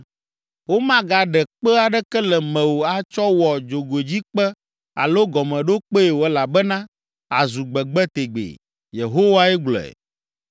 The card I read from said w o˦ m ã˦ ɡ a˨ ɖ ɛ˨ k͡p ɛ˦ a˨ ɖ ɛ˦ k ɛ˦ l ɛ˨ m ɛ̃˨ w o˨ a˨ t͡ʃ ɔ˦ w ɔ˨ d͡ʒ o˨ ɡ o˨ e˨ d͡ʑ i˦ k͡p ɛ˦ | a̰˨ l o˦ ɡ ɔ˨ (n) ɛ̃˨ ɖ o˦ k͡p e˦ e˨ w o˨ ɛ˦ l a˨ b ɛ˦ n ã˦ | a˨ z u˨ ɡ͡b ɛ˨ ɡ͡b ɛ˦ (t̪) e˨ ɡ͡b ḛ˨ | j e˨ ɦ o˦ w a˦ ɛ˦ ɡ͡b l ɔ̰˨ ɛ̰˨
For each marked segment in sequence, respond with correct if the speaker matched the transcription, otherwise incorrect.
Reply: incorrect: m, correct

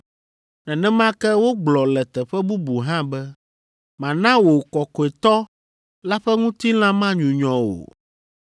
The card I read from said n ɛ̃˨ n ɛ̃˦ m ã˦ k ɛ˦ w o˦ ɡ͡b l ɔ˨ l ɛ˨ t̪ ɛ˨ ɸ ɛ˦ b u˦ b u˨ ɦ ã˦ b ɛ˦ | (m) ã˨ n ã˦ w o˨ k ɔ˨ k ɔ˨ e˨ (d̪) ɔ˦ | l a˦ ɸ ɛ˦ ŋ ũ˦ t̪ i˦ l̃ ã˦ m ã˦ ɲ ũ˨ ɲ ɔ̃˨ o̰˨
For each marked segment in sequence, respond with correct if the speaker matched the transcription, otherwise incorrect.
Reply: correct, incorrect: t̪

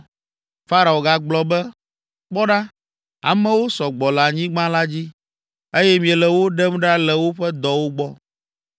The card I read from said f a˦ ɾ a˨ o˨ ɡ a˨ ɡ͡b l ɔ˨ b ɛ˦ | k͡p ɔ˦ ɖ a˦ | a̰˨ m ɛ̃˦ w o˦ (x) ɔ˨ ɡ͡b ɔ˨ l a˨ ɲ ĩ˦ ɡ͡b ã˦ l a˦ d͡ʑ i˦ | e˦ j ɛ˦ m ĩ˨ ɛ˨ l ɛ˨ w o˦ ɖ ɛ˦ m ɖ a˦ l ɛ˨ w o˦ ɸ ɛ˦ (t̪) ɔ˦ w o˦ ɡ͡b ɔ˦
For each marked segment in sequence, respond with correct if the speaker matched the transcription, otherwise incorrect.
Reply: incorrect: s, incorrect: d̪

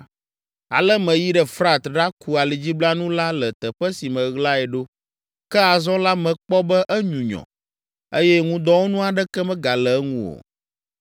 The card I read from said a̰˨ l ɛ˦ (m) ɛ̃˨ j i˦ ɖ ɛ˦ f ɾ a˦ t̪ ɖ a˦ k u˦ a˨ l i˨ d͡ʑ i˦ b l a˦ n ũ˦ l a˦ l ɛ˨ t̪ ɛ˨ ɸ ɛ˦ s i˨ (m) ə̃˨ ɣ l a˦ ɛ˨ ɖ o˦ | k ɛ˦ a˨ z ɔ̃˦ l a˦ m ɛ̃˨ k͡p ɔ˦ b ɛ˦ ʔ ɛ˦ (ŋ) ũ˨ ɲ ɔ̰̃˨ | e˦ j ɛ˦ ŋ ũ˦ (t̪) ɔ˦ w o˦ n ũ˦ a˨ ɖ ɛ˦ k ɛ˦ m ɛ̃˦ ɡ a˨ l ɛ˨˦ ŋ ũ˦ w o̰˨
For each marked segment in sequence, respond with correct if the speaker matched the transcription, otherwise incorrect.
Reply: correct, correct, incorrect: ɲ, incorrect: d̪

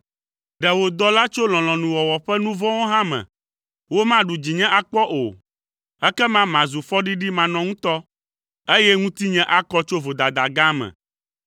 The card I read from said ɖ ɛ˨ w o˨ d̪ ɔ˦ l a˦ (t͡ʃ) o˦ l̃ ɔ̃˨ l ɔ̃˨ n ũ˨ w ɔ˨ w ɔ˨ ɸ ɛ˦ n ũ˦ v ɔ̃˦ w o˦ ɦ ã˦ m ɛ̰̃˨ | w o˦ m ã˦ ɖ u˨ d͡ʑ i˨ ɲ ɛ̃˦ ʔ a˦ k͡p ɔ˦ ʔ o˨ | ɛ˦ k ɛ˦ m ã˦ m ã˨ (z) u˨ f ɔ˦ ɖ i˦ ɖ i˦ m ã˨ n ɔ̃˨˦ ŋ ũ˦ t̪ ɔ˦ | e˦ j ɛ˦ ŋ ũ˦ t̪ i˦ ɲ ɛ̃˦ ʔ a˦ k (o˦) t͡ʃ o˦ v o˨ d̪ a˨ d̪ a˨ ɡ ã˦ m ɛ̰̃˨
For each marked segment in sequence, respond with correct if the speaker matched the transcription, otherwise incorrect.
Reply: correct, correct, incorrect: ɔ˦

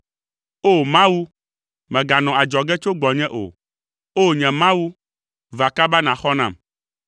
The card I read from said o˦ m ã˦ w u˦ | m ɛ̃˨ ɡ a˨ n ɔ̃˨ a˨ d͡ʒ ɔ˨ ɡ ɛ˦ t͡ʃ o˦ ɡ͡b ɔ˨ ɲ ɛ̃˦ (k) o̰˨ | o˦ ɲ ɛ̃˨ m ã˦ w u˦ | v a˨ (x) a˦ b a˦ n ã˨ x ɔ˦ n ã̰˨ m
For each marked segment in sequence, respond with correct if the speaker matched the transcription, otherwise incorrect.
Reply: incorrect: ʔ, incorrect: k

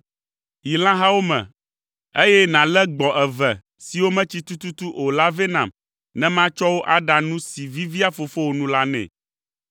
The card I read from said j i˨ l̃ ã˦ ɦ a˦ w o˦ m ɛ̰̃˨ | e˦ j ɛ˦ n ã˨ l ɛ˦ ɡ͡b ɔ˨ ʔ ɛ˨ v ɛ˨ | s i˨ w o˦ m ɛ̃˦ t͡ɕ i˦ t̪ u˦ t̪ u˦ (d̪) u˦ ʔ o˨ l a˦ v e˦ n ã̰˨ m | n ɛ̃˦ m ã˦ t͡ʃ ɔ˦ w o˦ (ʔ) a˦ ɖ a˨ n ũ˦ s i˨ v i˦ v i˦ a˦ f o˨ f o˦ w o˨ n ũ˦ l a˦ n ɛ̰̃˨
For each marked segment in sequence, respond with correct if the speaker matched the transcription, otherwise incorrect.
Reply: incorrect: t̪, correct

